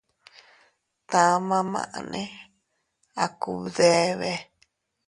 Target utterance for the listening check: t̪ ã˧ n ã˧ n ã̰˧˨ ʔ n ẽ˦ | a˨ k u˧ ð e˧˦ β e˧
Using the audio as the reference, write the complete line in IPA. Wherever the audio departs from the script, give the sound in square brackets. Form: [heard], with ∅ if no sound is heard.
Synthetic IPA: t̪ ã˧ [m] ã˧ [m] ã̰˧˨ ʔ n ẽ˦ | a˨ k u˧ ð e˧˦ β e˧